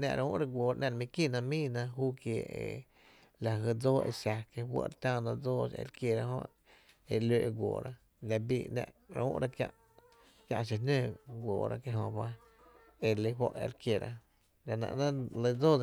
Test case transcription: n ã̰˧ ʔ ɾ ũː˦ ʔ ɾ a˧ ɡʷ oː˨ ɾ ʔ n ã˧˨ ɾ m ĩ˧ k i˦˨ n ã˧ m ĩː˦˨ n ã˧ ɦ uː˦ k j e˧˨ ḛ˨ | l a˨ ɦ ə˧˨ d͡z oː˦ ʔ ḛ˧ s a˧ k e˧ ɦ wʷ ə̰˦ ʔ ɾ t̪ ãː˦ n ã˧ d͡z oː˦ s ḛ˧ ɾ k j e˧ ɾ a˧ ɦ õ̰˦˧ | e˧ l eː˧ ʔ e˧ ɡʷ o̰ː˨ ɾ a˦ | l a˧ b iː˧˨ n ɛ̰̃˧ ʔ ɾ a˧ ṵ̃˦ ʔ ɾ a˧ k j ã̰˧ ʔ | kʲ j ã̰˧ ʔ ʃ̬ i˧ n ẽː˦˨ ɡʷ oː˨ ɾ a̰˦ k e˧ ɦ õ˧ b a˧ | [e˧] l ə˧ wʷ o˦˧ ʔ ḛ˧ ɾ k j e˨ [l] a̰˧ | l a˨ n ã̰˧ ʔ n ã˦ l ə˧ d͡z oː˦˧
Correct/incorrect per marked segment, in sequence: correct, incorrect

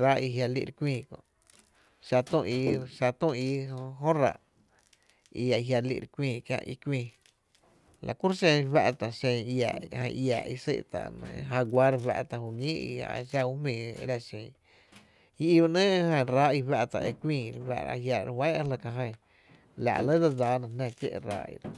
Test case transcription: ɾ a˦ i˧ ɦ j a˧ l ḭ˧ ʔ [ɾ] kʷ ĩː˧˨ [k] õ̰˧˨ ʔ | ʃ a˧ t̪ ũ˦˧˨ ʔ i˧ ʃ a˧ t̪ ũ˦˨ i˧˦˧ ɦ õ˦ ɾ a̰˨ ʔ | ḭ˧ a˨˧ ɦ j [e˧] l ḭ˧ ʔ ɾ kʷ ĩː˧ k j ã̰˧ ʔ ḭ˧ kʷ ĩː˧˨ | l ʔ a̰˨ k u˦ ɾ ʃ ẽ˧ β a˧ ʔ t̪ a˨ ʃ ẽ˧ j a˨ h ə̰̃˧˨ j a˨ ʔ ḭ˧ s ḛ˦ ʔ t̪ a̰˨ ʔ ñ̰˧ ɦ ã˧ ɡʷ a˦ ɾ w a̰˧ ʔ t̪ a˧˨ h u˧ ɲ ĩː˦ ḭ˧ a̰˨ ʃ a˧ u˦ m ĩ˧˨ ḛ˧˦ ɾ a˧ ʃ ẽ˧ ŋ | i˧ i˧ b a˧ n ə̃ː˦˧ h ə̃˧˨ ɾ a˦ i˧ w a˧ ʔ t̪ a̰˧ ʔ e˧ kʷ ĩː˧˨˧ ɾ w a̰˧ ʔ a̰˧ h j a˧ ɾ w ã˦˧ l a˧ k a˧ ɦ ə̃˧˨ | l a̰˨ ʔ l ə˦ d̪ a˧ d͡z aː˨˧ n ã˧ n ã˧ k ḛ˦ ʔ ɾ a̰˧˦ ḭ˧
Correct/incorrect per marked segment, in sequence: correct, correct, incorrect

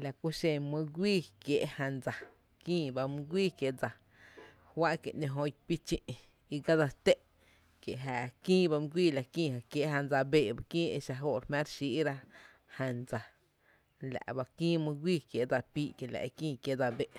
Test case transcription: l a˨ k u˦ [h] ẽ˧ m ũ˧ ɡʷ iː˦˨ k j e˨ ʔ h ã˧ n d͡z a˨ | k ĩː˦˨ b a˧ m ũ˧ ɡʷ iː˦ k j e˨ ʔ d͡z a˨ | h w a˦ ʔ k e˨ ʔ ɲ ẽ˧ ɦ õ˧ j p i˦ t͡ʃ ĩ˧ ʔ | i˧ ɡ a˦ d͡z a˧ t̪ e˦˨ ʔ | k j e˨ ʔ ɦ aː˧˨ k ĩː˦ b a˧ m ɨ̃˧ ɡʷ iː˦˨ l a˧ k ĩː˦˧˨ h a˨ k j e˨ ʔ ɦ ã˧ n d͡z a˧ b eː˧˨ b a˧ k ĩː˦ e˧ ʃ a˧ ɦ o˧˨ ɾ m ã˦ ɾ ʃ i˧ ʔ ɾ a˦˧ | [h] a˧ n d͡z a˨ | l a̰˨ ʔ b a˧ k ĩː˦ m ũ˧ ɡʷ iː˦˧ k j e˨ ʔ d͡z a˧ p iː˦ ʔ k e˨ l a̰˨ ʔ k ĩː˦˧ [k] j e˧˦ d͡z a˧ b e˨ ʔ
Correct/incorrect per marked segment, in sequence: incorrect, correct, correct

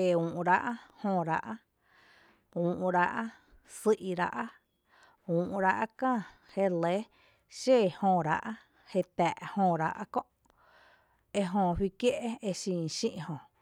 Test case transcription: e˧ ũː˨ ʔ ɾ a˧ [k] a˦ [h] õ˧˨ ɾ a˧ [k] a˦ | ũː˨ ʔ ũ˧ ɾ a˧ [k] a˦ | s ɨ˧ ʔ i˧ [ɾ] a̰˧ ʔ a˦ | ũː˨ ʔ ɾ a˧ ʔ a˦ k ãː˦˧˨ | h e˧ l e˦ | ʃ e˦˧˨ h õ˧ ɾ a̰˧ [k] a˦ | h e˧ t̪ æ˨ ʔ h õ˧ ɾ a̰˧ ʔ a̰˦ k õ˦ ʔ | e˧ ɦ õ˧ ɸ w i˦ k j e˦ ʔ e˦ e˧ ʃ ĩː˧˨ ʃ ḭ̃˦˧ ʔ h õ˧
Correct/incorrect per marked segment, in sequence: incorrect, correct, incorrect, incorrect, correct, incorrect

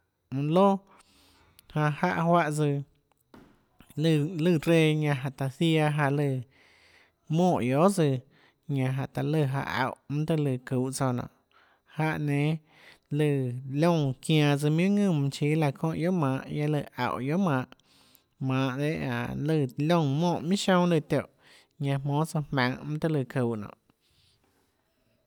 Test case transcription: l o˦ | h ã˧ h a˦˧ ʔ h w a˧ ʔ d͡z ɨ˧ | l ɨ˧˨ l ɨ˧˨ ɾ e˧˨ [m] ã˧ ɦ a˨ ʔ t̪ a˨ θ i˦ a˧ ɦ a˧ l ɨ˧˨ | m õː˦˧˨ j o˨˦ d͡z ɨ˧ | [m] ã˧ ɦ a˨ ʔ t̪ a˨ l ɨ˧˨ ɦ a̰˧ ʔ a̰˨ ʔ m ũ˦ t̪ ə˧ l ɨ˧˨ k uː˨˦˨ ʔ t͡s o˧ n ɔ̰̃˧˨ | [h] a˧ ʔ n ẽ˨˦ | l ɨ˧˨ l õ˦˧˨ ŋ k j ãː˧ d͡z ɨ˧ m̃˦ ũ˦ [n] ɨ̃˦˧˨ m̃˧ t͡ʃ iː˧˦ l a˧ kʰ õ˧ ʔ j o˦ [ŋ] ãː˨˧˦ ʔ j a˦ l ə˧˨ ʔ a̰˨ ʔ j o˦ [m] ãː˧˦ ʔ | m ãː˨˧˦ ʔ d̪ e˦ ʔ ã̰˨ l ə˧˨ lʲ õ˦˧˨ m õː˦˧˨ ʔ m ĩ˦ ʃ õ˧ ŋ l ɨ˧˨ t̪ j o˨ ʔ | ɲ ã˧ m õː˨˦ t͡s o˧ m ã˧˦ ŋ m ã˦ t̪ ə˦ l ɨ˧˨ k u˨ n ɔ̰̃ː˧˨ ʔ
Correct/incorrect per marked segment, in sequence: incorrect, incorrect, correct, incorrect, incorrect, correct

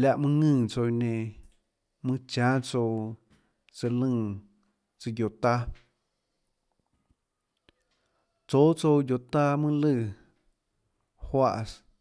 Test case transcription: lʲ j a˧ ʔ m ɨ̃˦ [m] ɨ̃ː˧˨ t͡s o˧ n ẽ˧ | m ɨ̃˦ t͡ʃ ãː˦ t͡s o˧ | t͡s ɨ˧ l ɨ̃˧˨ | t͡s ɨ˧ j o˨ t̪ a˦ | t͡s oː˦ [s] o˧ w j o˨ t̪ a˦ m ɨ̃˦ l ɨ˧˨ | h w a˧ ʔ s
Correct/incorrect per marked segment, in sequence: incorrect, incorrect

